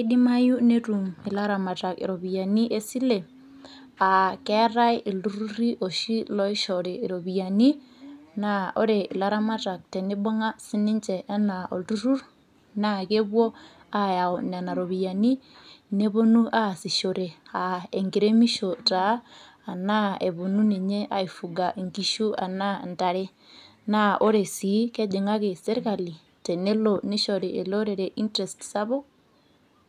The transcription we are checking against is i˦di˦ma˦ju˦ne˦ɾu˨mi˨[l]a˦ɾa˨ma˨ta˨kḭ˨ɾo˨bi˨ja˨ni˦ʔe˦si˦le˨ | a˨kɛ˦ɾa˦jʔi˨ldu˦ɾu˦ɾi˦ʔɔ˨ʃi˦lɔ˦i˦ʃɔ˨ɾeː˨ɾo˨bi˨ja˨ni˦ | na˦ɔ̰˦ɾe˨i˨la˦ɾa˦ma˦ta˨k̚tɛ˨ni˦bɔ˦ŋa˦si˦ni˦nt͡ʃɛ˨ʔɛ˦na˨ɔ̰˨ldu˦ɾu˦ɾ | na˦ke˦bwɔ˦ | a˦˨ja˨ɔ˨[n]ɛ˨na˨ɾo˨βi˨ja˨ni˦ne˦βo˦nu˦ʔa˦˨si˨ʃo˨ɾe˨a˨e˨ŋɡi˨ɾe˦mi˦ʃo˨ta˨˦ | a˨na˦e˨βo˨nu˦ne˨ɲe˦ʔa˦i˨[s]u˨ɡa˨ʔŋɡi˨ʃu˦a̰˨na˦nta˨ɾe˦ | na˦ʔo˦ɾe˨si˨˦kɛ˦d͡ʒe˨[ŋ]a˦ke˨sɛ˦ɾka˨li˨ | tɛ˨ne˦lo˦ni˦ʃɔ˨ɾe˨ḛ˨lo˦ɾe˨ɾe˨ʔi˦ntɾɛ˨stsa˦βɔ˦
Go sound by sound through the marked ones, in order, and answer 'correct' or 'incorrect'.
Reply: correct, correct, incorrect: f, correct

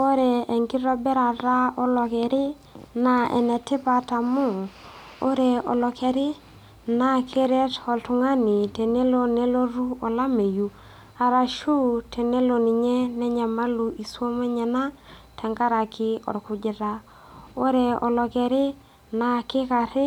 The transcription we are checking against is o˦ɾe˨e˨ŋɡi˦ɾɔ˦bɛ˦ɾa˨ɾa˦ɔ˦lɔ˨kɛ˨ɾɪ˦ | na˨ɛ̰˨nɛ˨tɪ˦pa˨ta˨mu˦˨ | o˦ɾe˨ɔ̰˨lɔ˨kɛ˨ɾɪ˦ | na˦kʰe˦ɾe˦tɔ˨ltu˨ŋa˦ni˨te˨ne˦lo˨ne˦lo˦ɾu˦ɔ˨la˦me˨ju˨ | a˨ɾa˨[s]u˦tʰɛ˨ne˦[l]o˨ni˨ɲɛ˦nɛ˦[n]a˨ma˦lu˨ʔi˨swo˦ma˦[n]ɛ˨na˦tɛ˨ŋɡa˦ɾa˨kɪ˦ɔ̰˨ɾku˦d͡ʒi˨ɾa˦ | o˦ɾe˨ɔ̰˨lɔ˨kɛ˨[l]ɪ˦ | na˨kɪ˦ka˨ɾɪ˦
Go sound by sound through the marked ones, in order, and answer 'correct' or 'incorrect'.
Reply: incorrect: ʃ, correct, incorrect: ɲ, incorrect: ɲ, incorrect: ɾ

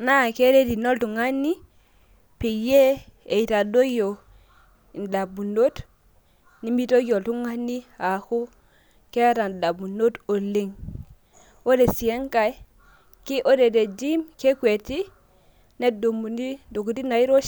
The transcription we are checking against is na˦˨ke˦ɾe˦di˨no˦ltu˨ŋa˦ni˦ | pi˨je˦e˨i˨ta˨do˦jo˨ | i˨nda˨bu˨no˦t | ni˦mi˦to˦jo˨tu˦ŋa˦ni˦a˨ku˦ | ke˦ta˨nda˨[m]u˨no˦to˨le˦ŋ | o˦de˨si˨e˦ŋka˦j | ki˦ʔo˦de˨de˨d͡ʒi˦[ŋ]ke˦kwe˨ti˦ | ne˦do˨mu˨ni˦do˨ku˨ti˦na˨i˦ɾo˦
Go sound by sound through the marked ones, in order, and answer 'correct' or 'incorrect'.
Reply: incorrect: b, incorrect: m

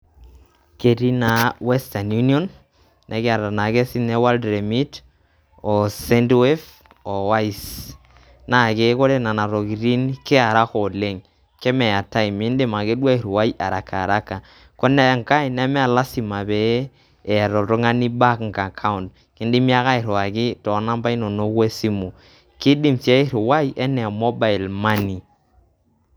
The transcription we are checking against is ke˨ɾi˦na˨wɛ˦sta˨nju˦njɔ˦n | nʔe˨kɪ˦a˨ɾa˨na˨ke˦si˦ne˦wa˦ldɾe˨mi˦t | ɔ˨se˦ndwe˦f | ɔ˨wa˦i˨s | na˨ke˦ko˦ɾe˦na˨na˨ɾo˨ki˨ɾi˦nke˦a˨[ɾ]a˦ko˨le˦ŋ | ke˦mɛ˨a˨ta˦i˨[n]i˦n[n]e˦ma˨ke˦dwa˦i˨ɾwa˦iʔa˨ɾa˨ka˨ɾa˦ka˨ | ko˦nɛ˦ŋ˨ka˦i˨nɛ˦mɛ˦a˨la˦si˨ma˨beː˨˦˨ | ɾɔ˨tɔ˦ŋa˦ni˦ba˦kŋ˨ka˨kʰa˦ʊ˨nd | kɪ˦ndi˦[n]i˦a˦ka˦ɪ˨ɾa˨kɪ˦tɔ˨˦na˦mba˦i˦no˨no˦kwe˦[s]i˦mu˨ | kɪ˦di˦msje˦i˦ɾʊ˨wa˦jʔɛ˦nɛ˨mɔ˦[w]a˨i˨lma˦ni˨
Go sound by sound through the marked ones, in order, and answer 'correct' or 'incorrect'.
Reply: correct, incorrect: m, incorrect: d, incorrect: m, correct, incorrect: b

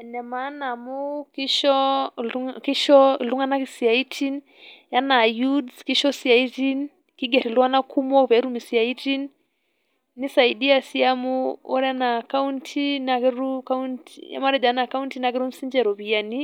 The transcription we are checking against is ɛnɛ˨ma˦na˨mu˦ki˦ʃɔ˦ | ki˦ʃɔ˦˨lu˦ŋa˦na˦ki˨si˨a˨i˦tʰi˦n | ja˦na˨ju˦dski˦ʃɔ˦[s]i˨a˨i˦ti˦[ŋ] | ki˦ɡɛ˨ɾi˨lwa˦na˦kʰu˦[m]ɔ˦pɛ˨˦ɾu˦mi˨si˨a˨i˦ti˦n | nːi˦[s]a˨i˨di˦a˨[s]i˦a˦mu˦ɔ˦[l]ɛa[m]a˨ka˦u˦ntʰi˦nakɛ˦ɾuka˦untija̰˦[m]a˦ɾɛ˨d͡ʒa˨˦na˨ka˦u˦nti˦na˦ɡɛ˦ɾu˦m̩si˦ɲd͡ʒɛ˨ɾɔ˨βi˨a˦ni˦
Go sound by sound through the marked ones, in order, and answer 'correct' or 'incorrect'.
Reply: correct, incorrect: n, correct, correct, correct, incorrect: ɾ, incorrect: n, correct

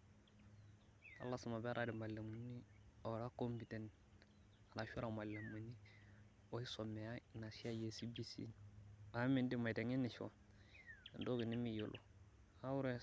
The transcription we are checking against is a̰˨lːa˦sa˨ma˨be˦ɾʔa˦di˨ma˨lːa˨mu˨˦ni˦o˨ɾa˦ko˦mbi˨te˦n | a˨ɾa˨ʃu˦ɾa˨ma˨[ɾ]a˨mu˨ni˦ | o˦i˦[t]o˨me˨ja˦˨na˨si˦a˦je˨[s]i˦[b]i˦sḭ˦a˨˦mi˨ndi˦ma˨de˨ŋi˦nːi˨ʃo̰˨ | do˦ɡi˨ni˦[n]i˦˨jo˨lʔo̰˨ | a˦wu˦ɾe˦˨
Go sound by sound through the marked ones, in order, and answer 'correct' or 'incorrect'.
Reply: incorrect: l, incorrect: s, correct, correct, incorrect: m

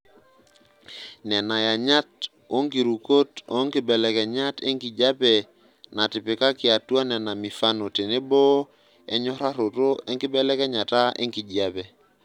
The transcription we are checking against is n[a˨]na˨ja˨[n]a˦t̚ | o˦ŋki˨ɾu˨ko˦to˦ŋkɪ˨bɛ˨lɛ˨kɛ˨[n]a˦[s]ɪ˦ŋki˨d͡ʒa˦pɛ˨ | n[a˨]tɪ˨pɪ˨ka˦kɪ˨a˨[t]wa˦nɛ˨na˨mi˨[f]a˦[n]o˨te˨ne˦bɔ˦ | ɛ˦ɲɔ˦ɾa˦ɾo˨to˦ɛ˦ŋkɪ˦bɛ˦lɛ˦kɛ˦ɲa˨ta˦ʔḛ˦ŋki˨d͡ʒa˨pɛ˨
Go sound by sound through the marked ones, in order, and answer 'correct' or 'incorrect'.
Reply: incorrect: ɛ˨, incorrect: ɲ, incorrect: ɲ, incorrect: t, correct, correct, correct, correct

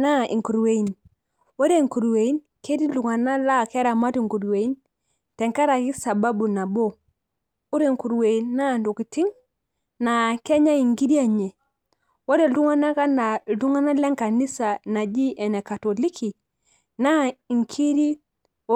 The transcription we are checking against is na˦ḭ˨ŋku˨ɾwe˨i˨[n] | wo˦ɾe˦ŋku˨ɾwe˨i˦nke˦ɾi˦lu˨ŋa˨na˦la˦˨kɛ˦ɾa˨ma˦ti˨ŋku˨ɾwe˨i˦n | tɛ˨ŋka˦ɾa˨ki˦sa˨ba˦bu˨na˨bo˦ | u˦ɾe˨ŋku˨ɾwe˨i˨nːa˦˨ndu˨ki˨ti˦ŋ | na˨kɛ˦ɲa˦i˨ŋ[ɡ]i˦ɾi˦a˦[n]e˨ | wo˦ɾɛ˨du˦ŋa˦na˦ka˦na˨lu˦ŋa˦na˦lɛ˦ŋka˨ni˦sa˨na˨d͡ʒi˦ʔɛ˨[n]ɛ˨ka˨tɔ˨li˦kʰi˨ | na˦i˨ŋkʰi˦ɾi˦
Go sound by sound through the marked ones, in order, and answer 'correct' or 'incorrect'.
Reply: correct, correct, incorrect: ɲ, correct

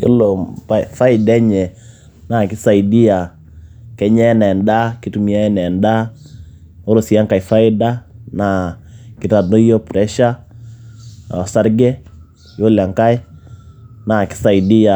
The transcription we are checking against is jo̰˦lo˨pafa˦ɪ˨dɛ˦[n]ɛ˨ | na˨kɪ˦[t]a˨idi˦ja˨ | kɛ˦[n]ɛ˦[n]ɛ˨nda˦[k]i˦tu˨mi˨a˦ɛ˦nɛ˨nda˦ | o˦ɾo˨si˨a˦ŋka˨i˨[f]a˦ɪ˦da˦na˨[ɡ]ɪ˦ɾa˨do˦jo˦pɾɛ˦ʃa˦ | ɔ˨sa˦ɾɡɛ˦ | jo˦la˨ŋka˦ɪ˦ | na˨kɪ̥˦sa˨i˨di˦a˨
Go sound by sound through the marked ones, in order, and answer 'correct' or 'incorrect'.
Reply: incorrect: ɲ, incorrect: s, incorrect: ɲ, correct, correct, correct, incorrect: k

